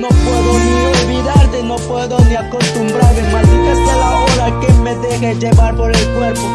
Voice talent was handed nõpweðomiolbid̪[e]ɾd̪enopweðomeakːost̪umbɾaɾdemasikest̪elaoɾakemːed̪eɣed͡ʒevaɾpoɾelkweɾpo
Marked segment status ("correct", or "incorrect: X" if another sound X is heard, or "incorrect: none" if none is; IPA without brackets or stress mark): incorrect: a